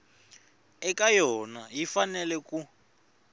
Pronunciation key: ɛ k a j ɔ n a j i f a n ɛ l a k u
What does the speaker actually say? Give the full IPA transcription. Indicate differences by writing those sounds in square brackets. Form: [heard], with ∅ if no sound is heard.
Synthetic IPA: ɛ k a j ɔ n a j i f a n ɛ l [ɛ] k u